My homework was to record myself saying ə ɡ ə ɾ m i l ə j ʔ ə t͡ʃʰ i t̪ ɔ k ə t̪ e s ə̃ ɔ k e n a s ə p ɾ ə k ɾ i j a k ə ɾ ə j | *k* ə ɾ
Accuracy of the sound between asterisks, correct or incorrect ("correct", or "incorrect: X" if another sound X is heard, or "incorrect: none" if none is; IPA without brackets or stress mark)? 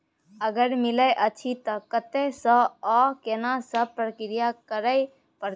incorrect: p